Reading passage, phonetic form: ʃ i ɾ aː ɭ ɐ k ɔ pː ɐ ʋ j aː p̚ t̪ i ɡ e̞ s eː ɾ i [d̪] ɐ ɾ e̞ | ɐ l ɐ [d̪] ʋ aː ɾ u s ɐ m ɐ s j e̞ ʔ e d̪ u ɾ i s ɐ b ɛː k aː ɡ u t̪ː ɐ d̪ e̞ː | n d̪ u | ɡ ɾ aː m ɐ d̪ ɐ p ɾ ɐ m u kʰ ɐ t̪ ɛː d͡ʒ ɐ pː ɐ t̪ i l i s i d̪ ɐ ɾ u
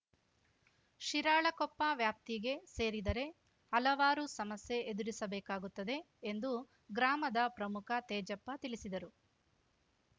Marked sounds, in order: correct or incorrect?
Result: correct, incorrect

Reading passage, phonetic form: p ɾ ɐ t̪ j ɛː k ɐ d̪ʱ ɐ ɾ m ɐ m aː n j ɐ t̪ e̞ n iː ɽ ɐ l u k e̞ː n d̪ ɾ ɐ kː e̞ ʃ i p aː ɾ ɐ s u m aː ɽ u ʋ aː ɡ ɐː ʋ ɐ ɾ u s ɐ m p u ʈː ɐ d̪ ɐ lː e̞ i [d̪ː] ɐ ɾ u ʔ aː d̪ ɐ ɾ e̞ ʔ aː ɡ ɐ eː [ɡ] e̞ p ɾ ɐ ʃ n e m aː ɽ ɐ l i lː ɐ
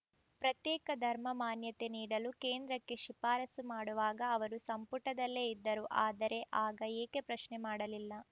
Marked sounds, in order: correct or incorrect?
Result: correct, incorrect

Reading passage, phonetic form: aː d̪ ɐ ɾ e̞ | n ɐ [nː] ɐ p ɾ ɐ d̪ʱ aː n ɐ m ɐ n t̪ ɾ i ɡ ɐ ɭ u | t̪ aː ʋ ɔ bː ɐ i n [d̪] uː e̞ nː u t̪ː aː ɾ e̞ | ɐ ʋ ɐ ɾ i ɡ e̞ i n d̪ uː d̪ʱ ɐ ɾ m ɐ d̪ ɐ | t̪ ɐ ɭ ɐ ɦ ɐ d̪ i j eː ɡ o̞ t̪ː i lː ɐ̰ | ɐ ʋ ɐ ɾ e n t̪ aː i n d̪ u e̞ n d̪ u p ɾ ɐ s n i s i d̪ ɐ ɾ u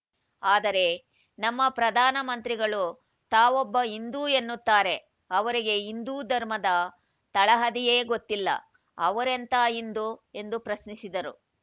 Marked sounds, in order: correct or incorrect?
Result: incorrect, correct

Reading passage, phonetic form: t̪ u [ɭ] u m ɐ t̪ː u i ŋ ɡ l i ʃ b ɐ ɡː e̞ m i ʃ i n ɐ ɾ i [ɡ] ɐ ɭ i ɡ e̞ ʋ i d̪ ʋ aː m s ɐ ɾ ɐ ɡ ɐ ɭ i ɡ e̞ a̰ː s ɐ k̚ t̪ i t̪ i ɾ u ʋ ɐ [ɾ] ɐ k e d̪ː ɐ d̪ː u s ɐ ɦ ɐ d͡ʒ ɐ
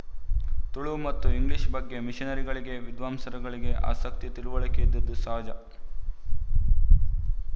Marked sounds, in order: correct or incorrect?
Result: correct, correct, incorrect

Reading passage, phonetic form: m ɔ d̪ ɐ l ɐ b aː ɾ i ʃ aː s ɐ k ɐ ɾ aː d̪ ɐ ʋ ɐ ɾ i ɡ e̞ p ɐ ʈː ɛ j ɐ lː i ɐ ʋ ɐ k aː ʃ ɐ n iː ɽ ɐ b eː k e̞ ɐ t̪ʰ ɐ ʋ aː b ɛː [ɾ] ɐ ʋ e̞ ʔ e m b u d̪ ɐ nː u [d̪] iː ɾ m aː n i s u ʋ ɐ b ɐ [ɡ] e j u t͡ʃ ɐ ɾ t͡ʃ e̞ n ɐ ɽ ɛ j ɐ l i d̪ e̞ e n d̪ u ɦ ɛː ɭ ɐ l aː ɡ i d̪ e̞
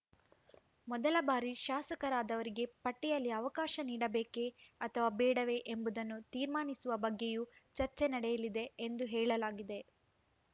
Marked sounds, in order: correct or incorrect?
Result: incorrect, incorrect, incorrect

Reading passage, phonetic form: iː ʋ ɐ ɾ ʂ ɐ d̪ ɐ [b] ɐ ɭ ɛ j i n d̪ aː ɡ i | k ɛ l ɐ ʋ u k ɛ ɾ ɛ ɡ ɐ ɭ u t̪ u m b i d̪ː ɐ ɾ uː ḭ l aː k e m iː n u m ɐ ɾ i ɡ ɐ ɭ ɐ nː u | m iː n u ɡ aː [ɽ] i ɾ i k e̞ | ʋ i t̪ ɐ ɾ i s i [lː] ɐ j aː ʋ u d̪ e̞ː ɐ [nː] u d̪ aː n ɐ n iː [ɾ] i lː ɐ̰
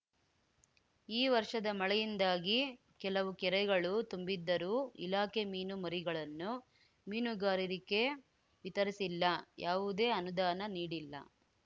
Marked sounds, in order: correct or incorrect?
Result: incorrect, incorrect, correct, incorrect, incorrect

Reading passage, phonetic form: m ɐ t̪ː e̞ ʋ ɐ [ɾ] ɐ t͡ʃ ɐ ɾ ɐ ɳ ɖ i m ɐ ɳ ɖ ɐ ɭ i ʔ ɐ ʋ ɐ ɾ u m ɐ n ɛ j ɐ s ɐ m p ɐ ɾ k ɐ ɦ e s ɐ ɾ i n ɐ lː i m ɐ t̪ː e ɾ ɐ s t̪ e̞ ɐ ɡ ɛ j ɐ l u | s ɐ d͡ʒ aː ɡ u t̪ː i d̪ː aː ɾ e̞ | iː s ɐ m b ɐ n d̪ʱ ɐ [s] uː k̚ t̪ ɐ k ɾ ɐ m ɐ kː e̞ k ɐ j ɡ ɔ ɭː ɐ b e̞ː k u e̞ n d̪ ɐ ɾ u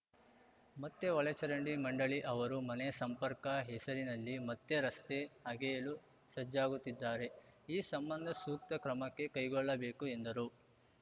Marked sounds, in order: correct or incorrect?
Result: incorrect, correct

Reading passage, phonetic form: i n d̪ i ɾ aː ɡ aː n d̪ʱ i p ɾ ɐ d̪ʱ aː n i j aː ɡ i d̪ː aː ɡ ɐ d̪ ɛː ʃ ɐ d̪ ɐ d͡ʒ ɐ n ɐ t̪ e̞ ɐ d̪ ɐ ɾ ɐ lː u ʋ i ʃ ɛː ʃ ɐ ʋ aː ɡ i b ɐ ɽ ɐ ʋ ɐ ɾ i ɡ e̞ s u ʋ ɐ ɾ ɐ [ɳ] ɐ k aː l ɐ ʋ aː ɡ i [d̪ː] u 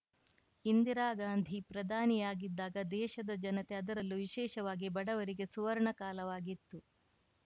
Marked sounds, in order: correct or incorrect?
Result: correct, incorrect

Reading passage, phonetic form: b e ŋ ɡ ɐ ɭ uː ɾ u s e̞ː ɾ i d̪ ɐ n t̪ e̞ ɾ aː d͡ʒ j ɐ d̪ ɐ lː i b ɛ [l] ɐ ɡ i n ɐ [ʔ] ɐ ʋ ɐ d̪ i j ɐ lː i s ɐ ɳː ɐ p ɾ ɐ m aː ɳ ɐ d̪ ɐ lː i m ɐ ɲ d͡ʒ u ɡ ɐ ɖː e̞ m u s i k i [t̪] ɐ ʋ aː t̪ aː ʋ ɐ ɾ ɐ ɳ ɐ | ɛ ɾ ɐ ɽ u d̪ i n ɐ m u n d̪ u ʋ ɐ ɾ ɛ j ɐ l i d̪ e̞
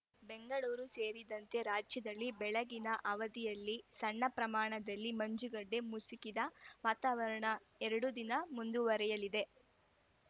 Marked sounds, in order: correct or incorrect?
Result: incorrect, correct, incorrect

